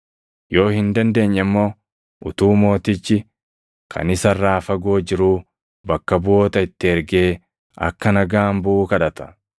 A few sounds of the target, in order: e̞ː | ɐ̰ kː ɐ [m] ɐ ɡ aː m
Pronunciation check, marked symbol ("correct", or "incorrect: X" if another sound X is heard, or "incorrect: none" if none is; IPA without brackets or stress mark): incorrect: n